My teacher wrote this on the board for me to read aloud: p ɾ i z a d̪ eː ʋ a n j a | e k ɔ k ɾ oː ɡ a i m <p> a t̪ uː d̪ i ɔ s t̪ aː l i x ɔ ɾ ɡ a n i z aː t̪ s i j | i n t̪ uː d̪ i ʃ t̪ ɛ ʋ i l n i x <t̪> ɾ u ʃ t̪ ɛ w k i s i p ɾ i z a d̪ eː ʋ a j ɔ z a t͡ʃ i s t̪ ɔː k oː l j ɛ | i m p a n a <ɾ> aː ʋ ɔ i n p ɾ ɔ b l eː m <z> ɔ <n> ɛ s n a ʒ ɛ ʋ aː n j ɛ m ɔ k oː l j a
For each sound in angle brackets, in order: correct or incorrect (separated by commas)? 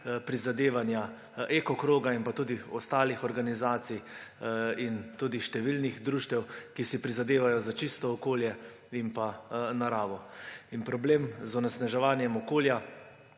correct, incorrect, correct, correct, correct